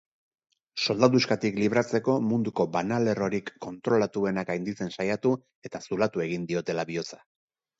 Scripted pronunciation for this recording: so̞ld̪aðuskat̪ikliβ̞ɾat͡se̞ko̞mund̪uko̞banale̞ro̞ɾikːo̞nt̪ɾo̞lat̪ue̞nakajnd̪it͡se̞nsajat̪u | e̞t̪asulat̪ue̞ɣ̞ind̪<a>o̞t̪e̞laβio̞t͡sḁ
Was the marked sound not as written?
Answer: yes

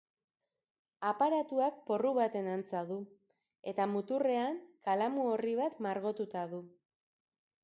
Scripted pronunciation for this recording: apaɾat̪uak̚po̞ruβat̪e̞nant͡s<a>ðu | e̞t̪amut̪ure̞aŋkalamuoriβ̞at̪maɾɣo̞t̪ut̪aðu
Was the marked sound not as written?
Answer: no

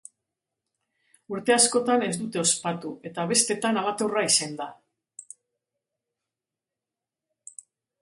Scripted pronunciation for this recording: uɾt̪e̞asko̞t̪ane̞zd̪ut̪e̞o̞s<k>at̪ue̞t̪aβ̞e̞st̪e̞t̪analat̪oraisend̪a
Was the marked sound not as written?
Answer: yes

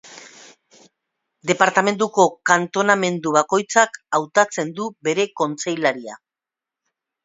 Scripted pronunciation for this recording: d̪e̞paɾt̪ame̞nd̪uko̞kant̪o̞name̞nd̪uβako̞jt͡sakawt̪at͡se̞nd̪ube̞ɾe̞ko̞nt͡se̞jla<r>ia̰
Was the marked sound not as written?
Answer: yes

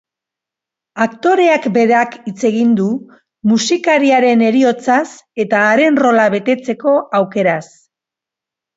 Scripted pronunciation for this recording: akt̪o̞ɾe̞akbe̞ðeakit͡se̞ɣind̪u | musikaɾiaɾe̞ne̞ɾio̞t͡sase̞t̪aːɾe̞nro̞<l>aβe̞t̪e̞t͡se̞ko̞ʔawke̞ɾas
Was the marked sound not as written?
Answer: no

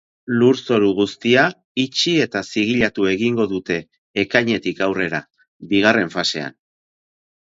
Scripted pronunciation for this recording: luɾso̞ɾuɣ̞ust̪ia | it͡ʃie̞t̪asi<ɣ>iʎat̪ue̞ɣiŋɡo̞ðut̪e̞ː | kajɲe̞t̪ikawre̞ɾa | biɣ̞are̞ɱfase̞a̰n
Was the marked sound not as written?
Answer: no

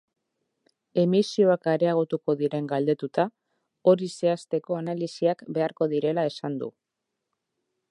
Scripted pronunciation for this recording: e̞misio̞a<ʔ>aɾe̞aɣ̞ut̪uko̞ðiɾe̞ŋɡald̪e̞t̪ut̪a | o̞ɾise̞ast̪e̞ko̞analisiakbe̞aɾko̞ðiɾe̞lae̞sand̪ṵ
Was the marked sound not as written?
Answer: yes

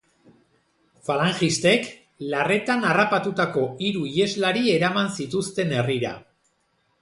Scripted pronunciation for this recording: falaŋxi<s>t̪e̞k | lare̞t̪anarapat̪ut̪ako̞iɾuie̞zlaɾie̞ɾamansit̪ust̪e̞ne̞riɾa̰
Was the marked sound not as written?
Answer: no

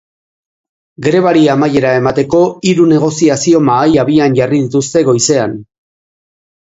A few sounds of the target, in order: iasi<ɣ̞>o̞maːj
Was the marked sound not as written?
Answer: yes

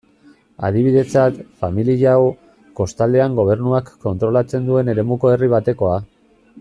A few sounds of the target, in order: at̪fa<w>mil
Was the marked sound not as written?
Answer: yes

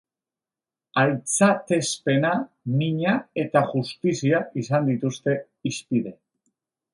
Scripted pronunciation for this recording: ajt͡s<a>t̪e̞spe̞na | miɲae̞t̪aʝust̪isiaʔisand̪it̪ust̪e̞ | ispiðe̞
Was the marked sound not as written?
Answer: no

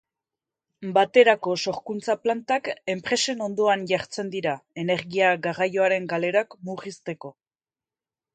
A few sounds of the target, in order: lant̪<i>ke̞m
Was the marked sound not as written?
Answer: yes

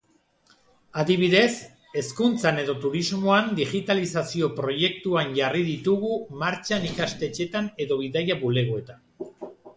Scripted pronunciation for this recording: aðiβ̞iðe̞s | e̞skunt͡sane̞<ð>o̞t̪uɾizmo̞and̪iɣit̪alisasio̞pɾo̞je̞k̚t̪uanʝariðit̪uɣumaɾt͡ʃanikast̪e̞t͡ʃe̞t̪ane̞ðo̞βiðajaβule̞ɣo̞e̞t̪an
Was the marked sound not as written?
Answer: no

